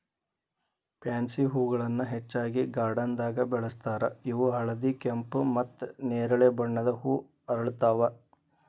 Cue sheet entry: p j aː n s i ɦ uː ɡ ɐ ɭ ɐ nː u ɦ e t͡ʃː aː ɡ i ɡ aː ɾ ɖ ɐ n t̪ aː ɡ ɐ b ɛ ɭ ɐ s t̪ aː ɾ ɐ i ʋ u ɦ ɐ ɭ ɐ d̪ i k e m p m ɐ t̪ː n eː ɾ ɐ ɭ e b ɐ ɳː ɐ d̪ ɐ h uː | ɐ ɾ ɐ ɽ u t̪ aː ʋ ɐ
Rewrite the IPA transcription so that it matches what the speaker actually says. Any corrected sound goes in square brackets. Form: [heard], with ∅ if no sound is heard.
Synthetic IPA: p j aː n s i ɦ uː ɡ ɐ ɭ ɐ nː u ɦ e t͡ʃː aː ɡ i ɡ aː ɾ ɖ ɐ n [d̪] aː ɡ ɐ b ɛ ɭ ɐ s t̪ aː ɾ ɐ i ʋ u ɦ ɐ ɭ ɐ d̪ i k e m p m ɐ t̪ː n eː ɾ ɐ ɭ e b ɐ ɳː ɐ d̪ ɐ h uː | ɐ ɾ ɐ [ɭ] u t̪ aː ʋ ɐ